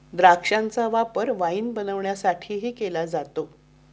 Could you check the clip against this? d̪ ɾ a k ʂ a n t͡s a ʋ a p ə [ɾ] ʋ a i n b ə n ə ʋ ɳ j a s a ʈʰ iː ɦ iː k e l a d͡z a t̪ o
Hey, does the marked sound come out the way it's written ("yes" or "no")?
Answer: yes